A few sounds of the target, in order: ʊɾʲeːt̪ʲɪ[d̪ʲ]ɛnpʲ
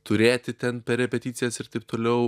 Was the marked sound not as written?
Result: yes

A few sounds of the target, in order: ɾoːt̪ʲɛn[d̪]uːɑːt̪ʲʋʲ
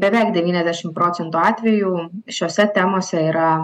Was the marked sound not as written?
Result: yes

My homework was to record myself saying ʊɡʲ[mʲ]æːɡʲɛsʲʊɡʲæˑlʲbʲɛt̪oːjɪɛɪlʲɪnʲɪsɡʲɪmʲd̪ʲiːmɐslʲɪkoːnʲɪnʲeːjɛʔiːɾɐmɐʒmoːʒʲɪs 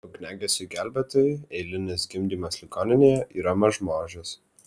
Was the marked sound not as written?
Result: yes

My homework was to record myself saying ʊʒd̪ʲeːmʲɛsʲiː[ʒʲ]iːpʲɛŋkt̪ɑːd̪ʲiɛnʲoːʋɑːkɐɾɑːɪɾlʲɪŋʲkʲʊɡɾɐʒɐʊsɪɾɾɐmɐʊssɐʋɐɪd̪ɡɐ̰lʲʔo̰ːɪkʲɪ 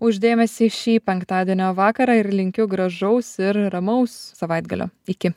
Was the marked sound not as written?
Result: yes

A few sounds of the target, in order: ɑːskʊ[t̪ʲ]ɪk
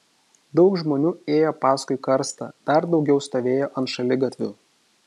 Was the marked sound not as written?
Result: yes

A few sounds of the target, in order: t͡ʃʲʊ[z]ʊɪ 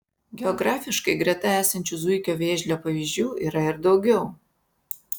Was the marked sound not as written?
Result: no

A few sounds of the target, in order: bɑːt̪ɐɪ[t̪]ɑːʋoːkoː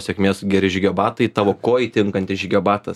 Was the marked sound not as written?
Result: no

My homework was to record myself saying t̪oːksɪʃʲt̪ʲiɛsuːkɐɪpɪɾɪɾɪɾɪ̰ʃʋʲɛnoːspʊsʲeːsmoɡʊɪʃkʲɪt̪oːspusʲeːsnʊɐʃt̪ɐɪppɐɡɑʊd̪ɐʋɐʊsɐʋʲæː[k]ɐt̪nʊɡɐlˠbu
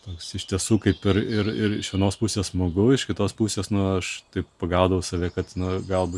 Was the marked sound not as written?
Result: no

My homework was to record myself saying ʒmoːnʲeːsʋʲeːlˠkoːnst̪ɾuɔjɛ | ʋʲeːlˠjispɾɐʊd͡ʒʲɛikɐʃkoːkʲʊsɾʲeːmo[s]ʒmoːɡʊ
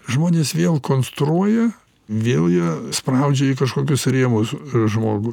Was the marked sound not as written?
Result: no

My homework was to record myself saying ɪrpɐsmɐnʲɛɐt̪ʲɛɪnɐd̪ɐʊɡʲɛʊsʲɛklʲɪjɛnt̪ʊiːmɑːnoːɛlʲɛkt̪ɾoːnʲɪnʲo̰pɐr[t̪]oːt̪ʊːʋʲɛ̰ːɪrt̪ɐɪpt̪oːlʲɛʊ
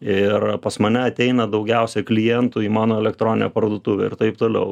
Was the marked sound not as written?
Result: yes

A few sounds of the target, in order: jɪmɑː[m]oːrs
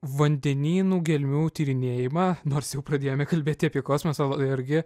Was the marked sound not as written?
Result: yes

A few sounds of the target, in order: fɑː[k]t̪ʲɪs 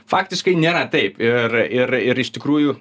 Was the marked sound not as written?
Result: no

